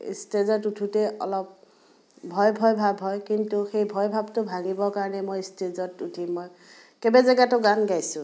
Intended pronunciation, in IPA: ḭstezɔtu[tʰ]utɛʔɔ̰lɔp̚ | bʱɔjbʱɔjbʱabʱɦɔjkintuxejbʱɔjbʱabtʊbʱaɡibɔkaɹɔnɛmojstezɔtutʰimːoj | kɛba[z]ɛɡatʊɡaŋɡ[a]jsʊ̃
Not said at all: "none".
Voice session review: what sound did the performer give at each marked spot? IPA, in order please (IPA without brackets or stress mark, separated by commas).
tʰ, z, a